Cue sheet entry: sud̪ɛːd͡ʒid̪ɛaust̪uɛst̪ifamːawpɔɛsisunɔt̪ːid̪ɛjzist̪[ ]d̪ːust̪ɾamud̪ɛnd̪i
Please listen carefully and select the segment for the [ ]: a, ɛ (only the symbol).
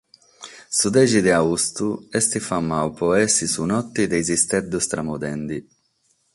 ɛ